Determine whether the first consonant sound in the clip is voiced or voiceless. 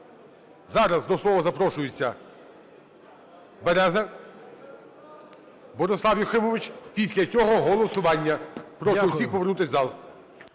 voiced